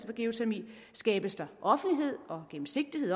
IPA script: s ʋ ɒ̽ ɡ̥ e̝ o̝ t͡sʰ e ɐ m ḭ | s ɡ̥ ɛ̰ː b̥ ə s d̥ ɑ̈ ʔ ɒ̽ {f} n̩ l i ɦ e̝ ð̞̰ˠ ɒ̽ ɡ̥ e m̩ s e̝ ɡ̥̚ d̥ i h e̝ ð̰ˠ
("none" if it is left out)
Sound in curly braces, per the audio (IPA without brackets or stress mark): f